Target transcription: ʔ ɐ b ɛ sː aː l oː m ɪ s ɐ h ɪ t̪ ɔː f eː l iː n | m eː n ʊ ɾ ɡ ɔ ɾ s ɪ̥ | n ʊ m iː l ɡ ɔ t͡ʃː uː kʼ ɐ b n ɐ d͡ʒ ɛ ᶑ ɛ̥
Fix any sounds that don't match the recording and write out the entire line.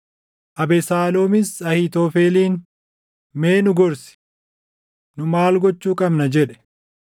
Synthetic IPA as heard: ʔ ɐ b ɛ s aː l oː m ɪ s ɐ h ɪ t̪ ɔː f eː l iː n | m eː n ʊ ɡ ɔ ɾ s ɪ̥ | n ʊ m aː l ɡ ɔ t͡ʃː uː kʼ ɐ b n ɐ d͡ʒ ɛ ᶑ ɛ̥